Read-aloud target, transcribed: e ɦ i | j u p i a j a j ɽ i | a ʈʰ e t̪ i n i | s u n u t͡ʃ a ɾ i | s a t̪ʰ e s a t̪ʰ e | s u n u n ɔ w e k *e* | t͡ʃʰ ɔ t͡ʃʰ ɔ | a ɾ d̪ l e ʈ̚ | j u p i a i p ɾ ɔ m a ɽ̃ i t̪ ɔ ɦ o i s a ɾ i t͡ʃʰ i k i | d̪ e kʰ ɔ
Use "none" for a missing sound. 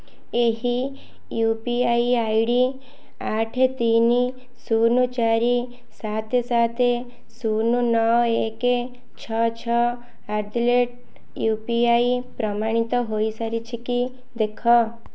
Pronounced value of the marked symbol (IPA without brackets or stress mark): e